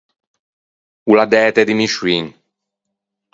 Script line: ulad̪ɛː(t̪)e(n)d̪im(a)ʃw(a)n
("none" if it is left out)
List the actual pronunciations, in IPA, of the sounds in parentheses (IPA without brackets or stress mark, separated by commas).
t̪, none, i, i